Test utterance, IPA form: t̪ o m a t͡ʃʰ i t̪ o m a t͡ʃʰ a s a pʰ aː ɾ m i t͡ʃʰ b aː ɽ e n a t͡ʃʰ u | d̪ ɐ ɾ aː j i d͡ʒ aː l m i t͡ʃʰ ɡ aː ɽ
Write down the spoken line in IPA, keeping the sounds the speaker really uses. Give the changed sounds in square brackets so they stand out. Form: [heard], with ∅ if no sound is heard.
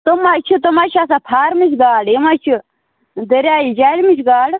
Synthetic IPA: t̪ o m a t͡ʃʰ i t̪ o m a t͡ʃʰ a s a pʰ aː ɾ m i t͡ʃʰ [ɡ] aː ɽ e [m] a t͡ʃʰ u | d̪ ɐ ɾ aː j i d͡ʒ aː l m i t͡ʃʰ ɡ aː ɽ